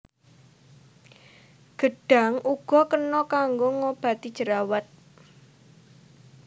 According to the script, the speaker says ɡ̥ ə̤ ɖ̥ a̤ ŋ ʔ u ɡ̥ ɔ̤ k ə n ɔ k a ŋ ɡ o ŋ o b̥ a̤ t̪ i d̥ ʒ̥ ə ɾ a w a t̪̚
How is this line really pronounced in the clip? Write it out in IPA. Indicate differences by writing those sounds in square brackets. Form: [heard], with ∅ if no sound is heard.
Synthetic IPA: ɡ̥ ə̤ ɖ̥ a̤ ŋ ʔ u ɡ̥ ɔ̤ k ə n ɔ k a ŋ ɡ o ŋ o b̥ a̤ t̪ i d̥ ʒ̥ ə ɾ a w a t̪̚